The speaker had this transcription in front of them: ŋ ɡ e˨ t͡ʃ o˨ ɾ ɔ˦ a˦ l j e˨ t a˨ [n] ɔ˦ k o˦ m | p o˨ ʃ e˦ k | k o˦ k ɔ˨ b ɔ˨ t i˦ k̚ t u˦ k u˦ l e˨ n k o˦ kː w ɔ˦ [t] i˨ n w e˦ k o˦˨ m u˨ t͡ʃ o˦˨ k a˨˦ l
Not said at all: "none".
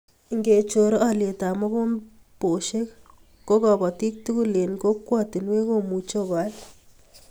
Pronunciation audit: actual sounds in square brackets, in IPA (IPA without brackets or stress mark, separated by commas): m, t